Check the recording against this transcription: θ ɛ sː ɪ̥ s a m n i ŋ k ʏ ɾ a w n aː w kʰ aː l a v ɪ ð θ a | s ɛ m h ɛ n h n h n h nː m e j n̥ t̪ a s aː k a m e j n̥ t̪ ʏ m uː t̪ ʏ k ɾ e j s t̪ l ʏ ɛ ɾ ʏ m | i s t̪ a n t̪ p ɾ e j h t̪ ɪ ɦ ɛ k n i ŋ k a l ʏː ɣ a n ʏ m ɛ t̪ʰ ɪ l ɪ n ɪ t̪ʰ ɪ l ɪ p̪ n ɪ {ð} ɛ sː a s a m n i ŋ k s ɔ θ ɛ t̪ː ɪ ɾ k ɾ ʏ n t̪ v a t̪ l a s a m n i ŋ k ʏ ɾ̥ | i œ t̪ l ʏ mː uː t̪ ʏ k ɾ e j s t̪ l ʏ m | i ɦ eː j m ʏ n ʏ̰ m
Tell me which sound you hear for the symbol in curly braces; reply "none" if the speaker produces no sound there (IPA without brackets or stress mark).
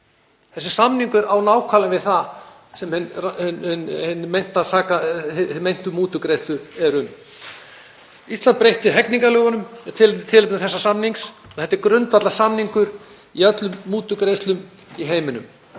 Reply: θ